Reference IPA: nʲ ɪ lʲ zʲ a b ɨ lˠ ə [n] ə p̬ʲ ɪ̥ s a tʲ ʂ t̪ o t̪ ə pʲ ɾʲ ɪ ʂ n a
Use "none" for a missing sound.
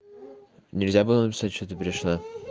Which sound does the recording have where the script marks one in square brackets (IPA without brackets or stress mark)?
n